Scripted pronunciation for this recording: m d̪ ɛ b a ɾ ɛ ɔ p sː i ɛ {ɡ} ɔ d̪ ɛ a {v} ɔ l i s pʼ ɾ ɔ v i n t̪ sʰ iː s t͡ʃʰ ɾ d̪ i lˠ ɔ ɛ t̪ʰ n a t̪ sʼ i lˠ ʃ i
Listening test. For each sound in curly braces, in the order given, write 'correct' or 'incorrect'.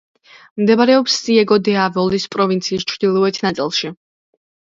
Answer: correct, correct

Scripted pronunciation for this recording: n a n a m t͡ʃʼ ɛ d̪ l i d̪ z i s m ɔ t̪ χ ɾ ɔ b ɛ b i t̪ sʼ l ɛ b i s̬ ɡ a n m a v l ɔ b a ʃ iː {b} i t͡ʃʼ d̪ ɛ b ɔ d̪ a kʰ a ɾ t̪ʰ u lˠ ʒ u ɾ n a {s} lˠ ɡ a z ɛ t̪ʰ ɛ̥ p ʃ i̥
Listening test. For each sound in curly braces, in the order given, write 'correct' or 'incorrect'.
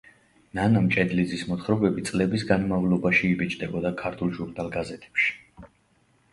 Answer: correct, incorrect

